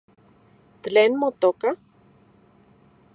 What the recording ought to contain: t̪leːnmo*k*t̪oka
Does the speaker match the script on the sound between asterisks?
no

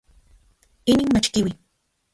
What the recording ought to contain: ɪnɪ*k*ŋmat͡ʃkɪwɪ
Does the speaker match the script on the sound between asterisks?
no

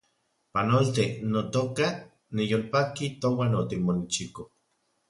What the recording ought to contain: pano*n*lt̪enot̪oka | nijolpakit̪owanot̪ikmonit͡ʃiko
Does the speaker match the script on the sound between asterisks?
no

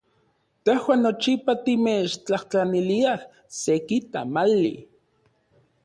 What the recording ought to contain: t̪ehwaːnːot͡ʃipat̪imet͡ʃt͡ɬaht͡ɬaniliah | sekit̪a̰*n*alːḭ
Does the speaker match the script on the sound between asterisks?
no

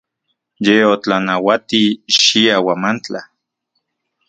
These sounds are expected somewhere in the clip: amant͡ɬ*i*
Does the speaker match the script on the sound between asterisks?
no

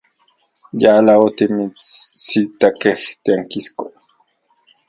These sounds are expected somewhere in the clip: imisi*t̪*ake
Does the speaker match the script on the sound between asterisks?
yes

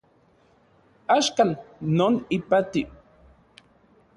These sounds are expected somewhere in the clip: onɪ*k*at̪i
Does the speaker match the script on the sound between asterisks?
no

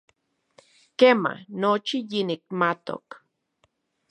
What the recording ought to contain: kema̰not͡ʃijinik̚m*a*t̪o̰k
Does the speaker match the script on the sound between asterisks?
yes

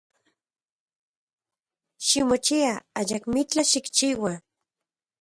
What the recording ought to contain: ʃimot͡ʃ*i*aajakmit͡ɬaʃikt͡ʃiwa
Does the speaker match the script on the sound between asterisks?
yes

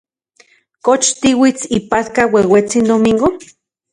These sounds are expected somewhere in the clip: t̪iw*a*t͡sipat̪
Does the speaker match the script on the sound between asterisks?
no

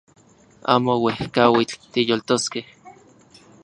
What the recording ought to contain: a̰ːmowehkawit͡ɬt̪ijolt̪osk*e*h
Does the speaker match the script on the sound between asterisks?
yes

